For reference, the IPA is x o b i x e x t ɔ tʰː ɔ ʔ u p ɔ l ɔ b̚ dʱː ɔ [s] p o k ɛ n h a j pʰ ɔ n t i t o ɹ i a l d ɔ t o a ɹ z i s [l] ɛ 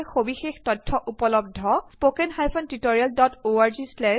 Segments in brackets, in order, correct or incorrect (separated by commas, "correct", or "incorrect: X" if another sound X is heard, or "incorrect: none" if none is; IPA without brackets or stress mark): correct, correct